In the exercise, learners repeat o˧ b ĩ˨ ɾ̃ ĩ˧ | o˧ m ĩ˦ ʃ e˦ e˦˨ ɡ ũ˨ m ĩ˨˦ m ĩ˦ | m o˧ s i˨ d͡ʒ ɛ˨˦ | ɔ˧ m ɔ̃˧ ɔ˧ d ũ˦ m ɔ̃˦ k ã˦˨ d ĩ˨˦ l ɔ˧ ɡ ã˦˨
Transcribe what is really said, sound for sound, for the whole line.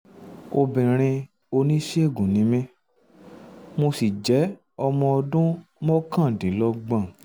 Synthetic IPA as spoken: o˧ b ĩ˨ ɾ̃ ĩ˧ | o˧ n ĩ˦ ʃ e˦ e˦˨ ɡ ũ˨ n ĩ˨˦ m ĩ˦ | m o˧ s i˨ d͡ʒ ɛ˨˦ | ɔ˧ m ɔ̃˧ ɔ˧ d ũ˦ m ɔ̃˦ k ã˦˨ d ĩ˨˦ l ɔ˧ ɡ͡b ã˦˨